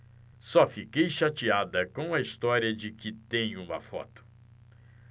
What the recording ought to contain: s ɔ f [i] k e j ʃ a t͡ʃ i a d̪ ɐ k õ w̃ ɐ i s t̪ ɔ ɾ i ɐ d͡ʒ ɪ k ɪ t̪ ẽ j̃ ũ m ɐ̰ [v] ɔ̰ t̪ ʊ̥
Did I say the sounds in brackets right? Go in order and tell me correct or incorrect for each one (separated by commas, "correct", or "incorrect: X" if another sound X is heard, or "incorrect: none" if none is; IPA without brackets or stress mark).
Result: correct, incorrect: f